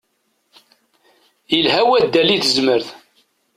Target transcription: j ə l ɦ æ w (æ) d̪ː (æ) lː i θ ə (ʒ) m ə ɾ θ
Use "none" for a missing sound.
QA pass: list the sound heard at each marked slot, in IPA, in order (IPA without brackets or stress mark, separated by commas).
æ, æ, z